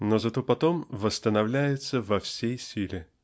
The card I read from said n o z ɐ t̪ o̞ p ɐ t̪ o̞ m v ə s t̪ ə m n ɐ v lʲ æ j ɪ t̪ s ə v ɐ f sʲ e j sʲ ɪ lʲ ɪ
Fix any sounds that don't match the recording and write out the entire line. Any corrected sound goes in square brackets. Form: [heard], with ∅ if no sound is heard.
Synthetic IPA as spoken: n o z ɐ t̪ o̞ p ɐ t̪ o̞ m v ə s t̪ ə [∅] n ɐ v lʲ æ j ɪ t̪ s ə v ɐ f sʲ e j sʲ [i] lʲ ɪ